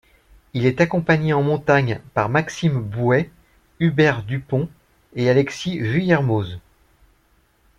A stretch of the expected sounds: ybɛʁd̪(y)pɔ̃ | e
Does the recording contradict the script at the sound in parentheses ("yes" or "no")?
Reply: no